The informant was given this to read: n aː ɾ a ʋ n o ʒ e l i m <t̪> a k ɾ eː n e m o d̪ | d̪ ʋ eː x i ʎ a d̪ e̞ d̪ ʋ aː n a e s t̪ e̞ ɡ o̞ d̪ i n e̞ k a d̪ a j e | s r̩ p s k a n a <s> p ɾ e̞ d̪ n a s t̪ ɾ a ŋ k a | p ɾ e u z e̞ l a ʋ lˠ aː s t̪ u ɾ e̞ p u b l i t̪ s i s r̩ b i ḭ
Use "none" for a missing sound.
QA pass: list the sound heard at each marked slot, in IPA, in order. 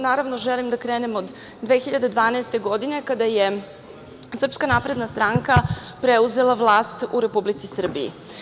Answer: d̪, none

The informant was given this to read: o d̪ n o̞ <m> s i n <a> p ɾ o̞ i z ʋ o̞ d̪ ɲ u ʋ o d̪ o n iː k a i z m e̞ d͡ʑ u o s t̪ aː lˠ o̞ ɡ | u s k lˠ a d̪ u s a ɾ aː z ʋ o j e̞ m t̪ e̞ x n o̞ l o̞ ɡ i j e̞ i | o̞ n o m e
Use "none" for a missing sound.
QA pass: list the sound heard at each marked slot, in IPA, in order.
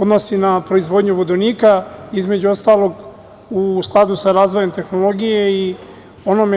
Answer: none, a

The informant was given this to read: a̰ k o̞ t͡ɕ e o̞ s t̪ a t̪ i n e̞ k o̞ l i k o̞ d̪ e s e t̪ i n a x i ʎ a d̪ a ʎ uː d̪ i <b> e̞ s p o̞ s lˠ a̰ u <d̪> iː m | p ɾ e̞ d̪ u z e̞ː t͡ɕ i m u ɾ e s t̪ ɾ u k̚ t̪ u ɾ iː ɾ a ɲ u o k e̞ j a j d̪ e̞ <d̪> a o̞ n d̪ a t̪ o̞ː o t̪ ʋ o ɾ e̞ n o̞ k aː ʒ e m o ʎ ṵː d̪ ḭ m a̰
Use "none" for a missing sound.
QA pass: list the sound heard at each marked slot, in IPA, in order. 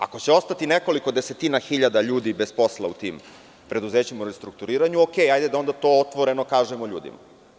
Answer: b, t̪, d̪

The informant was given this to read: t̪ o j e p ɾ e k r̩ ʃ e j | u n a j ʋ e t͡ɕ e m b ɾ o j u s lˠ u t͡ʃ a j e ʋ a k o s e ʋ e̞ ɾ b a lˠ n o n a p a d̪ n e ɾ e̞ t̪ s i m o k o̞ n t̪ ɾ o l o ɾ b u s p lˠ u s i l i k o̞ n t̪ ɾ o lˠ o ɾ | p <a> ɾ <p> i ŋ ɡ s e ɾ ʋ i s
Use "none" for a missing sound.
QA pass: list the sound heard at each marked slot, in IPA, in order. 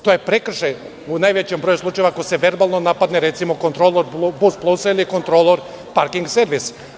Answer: a, k

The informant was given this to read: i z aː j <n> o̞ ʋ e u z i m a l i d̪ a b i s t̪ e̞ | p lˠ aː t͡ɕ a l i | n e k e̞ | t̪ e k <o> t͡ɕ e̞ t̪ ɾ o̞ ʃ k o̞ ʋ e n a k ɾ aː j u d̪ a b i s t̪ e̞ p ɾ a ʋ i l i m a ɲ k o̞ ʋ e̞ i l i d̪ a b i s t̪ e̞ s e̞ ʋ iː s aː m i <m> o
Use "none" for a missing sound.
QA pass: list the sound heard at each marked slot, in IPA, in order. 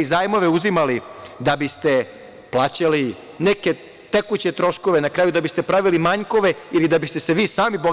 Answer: m, u, b

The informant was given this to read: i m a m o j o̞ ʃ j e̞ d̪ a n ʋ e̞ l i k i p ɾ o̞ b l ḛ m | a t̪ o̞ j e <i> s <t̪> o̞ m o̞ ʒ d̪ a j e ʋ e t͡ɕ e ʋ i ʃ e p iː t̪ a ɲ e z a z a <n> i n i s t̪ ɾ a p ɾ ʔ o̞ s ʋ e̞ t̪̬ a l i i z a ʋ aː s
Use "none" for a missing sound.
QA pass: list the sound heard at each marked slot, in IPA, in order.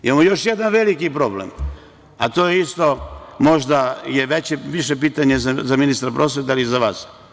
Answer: i, t̪, m

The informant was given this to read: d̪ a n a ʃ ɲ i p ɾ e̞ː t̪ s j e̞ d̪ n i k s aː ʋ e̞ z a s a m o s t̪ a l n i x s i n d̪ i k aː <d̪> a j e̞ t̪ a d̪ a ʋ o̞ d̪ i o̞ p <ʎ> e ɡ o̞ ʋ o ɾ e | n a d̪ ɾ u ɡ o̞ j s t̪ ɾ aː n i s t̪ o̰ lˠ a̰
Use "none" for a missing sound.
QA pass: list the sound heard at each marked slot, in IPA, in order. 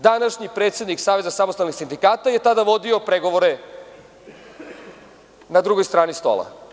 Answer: t̪, ɾ

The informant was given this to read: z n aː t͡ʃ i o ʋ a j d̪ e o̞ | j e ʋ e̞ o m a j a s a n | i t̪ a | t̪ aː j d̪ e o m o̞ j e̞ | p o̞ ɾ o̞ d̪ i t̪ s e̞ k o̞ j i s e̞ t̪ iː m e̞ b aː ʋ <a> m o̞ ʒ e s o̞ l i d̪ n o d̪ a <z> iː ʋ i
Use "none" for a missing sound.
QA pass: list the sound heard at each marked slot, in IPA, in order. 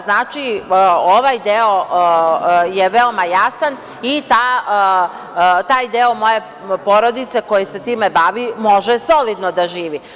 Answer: i, ʒ

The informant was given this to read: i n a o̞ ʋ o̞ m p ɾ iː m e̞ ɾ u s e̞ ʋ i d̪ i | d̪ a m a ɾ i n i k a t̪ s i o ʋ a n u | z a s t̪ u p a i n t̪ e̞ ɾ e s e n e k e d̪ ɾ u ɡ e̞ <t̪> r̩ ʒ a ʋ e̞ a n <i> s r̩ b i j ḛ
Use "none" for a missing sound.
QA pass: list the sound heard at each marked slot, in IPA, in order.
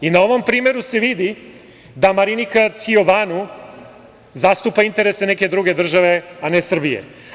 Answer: d̪, e

